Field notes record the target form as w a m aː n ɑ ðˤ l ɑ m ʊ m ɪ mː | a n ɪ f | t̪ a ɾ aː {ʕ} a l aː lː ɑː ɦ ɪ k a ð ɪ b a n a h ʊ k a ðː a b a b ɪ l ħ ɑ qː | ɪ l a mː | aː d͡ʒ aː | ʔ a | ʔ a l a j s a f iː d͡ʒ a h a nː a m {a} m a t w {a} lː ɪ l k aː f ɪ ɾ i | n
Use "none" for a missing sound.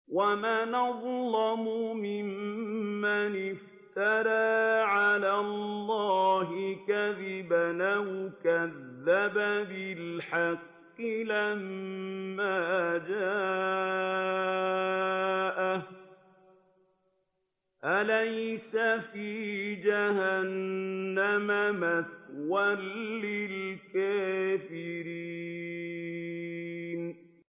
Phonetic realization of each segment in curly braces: ʕ, a, a

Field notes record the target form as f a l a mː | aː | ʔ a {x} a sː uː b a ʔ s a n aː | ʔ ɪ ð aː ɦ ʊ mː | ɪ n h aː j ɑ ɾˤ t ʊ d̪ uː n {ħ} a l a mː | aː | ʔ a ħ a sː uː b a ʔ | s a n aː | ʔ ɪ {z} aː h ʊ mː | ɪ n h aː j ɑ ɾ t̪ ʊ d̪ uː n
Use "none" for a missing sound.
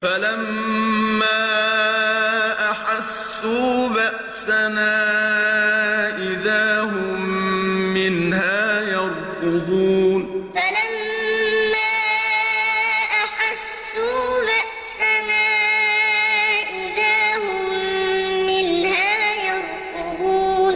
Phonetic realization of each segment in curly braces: ħ, f, ð

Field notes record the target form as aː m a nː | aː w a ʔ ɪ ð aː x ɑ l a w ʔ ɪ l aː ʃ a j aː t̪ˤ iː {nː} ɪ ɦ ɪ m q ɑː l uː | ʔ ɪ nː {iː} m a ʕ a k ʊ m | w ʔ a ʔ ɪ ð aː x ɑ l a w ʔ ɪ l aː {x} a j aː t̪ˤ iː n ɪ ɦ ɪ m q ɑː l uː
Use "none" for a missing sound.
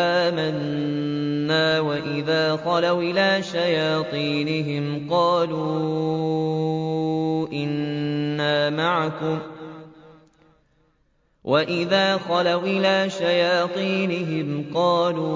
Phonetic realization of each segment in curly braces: n, aː, ʃ

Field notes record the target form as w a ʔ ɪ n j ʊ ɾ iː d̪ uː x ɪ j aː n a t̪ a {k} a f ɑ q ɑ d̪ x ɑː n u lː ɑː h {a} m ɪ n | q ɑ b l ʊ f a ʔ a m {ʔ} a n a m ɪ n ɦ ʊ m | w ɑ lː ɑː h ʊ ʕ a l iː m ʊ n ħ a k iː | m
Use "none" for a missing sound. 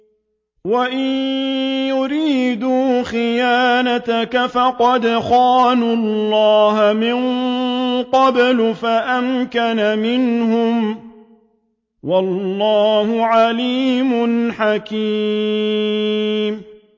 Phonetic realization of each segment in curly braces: k, a, k

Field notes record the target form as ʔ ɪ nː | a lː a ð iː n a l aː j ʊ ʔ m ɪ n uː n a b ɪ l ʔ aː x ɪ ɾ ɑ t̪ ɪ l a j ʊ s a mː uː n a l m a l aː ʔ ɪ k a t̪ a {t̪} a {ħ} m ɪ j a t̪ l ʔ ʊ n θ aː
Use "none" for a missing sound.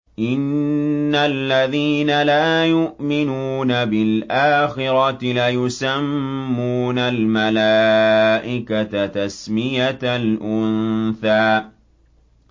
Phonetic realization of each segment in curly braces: t̪, s

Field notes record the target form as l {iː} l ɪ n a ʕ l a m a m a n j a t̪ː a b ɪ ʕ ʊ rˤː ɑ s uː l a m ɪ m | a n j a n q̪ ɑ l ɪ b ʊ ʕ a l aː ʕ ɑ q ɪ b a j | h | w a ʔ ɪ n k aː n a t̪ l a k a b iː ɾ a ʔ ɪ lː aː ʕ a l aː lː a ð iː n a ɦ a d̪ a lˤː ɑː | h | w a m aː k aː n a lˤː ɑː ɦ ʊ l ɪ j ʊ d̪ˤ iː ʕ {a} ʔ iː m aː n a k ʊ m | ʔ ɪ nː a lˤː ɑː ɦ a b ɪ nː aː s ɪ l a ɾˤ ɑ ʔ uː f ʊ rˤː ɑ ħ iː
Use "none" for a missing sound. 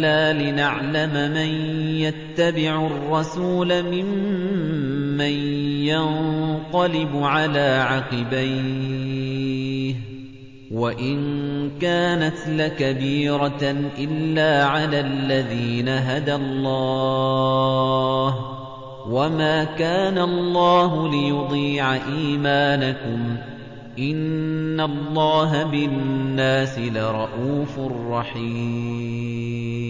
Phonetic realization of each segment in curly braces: aː, a

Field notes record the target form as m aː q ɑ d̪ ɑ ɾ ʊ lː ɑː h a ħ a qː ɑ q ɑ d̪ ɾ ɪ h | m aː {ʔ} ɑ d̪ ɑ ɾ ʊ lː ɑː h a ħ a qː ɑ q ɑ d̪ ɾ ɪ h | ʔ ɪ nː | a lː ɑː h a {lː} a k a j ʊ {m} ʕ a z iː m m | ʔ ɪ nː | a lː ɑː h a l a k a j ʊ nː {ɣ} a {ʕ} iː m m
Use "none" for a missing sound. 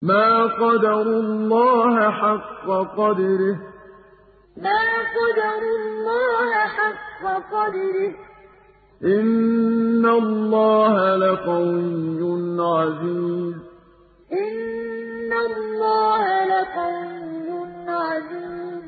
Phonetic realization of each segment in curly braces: q, l, n, ʕ, z

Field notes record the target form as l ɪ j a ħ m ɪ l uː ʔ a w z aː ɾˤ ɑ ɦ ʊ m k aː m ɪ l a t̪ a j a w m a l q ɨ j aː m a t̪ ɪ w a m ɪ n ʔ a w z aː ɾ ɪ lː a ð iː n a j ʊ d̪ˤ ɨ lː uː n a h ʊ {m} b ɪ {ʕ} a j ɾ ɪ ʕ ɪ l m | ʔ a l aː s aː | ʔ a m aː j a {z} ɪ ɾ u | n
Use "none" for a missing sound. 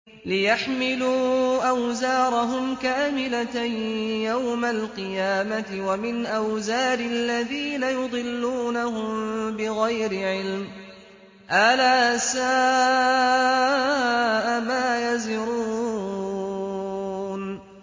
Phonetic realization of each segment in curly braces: m, ɣ, z

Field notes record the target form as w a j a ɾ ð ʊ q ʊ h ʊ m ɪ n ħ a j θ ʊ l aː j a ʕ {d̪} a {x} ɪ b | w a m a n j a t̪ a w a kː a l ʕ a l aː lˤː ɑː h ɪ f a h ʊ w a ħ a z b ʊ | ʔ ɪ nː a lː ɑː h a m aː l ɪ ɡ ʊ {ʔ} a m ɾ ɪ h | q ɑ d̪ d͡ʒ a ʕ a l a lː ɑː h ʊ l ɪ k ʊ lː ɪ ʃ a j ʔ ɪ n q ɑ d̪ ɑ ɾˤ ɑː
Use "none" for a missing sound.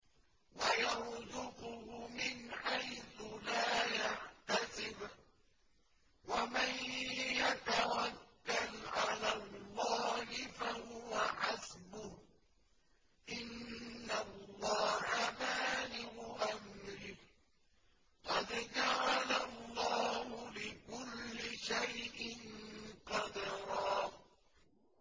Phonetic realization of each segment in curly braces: t̪, s, ʔ

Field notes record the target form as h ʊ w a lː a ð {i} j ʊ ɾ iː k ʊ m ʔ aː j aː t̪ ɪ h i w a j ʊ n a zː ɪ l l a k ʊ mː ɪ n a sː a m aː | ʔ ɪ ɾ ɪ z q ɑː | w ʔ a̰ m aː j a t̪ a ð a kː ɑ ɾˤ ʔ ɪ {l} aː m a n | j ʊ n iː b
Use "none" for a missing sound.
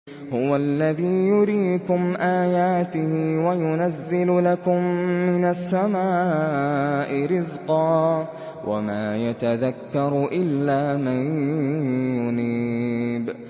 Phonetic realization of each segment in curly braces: iː, lː

